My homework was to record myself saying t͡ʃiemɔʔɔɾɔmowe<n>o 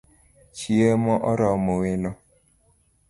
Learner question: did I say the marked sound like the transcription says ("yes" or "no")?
yes